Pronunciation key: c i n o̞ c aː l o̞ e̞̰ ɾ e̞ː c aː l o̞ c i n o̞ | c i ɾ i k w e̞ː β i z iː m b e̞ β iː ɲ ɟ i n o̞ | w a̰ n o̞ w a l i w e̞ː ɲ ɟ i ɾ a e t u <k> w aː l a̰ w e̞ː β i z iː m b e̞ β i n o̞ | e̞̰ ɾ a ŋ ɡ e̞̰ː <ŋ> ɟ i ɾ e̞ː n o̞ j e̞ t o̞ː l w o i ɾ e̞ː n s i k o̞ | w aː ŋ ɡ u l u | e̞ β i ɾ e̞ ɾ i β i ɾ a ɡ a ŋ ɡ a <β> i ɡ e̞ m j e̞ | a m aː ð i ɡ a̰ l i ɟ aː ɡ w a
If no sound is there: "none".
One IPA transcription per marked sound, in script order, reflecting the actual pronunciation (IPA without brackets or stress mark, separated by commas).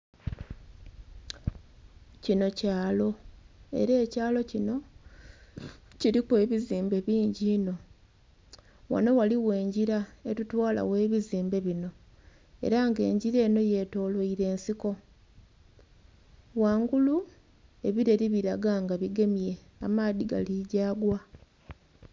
t, ɲ, β